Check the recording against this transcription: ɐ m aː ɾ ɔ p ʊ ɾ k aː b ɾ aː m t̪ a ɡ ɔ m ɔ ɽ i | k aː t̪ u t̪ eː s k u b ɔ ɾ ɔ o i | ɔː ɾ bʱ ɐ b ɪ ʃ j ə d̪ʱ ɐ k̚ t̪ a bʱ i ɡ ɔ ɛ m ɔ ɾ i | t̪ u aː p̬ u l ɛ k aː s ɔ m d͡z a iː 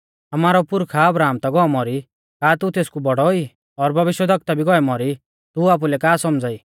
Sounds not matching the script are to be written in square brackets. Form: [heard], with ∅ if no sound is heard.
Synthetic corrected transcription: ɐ m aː ɾ ɔ p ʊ ɾ [kʰ] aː b ɾ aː m t̪ a ɡ ɔ m ɔ [ɾ] i | k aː t̪ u t̪ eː s k u b ɔ [ɽ] ɔ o i | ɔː ɾ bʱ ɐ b ɪ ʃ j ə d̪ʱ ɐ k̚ t̪ a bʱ i ɡ ɔ ɛ m ɔ ɾ i | t̪ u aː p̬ u l ɛ k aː s ɔ m d͡z a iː